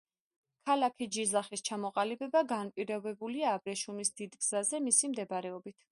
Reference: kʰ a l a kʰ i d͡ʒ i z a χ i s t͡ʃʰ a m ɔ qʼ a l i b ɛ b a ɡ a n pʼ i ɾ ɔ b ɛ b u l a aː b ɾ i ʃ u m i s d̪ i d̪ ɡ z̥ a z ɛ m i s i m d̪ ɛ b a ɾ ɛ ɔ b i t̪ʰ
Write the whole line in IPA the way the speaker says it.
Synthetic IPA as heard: kʰ a l a kʰ i d͡ʒ i z a χ i s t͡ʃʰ a m ɔ qʼ a l i b ɛ b a ɡ a n pʼ i ɾ ɔ b ɛ b u l i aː b ɾ ɛ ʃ u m i s d̪ i d̪ ɡ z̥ a z ɛ m i s i m d̪ ɛ b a ɾ ɛ ɔ b i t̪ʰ